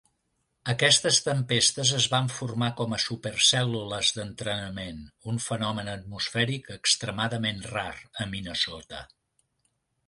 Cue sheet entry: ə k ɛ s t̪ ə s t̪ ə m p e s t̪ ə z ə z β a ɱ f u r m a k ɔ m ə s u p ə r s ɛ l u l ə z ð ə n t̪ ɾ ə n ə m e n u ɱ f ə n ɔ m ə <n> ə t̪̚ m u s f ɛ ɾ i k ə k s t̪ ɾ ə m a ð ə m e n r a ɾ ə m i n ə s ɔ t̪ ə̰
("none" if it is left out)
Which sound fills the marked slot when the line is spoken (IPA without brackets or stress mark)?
n